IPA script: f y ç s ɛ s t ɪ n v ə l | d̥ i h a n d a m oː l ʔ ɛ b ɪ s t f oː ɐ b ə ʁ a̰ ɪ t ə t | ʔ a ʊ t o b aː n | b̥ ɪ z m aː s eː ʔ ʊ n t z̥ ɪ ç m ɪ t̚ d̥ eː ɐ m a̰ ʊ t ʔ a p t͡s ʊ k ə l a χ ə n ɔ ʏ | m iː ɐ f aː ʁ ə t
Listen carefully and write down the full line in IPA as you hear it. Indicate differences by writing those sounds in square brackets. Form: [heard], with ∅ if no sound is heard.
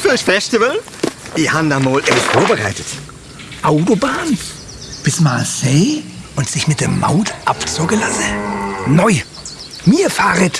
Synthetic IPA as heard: f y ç [f] ɛ s t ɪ [∅] v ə l | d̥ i h a n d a m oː l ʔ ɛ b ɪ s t f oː ɐ b ə ʁ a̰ ɪ t ə t | ʔ a ʊ t o b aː n | b̥ ɪ [s] m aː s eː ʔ ʊ n t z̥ ɪ ç m ɪ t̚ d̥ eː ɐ m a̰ ʊ t ʔ a p t͡s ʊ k ə l a [s] ə n ɔ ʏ | m iː ɐ f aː ʁ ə t